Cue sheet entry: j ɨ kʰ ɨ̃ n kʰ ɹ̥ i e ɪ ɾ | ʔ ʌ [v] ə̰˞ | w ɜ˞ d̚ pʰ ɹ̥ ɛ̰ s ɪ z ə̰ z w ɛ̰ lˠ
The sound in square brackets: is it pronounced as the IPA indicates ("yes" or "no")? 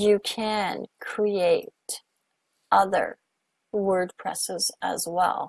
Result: no